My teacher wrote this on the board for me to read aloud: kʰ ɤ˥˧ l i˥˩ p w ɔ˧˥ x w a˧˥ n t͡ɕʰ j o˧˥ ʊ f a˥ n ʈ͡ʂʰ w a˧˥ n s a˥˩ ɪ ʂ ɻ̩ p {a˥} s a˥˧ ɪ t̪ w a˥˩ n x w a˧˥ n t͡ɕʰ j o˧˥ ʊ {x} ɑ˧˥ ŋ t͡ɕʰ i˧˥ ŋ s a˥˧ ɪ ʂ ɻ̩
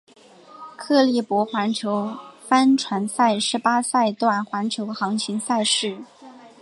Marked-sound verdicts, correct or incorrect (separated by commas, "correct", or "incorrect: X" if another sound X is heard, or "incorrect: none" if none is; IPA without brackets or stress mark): correct, correct